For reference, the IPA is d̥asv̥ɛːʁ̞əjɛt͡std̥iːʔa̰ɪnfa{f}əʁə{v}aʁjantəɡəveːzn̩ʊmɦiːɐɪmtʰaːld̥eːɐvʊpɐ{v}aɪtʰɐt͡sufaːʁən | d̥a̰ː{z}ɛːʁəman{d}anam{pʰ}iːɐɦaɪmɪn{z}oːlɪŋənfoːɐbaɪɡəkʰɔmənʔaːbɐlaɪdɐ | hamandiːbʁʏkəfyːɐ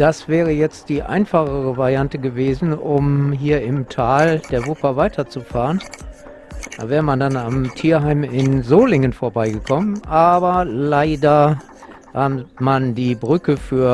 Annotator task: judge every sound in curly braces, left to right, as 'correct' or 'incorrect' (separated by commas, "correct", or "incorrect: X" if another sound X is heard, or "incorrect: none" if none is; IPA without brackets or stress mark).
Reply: incorrect: χ, correct, correct, incorrect: v, correct, incorrect: tʰ, correct